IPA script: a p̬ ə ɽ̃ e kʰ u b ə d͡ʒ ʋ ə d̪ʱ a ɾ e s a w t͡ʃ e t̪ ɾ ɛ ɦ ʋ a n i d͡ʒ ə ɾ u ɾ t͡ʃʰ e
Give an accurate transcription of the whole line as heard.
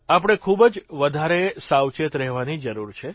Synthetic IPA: a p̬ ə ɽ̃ e kʰ u b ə d͡ʒ ʋ ə d̪ʱ a ɾ e s a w t͡ʃ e t̪ ɾ ɛ ɦ ʋ a n i d͡ʒ ə ɾ u ɾ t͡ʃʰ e